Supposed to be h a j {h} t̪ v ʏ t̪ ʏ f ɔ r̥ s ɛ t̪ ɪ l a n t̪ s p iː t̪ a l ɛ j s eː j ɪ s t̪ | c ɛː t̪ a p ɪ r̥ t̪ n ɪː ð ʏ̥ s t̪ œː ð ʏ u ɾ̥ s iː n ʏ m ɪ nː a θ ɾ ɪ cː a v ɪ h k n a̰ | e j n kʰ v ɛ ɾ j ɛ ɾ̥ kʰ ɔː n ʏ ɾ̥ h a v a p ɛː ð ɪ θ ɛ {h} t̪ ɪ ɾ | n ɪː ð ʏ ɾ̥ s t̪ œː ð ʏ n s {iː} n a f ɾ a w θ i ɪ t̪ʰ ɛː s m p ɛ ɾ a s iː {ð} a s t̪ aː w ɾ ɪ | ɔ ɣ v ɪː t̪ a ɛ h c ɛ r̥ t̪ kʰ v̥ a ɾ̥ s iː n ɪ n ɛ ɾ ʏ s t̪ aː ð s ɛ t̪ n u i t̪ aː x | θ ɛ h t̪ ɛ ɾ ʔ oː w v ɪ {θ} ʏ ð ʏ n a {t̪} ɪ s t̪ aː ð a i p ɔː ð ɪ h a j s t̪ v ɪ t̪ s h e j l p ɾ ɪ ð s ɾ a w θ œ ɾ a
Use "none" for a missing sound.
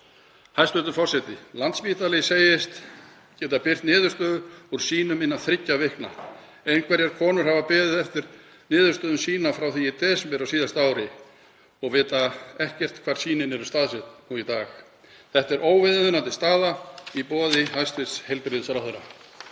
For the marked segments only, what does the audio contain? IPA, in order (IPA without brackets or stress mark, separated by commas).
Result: s, f, iː, ð, ð, t̪